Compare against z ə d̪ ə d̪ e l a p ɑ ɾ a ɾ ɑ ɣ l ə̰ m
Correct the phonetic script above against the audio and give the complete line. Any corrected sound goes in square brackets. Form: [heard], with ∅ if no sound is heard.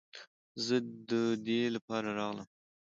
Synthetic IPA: z ə d̪ ə d̪ e l a p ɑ ɾ a ɾ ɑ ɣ l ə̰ m